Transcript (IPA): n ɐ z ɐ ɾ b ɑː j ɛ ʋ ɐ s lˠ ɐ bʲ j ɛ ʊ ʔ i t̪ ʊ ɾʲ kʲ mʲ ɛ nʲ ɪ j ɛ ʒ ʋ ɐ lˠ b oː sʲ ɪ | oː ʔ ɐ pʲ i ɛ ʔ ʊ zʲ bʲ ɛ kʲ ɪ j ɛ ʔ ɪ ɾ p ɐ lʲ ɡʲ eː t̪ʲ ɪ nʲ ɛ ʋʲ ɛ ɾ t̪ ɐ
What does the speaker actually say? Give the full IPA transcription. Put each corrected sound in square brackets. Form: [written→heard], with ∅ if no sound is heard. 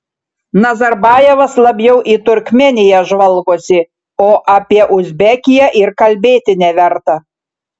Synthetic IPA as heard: n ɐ z ɐ ɾ b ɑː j ɛ ʋ ɐ s lˠ ɐ bʲ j ɛ ʊ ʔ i t̪ ʊ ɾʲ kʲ mʲ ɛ nʲ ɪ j ɛ ʒ ʋ ɐ lˠ [b→ɡ] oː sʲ ɪ | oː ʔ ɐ pʲ i ɛ ʔ ʊ zʲ bʲ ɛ kʲ ɪ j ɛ ʔ ɪ ɾ [p→k] ɐ lʲ [ɡʲ→bʲ] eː t̪ʲ ɪ nʲ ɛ ʋʲ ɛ ɾ t̪ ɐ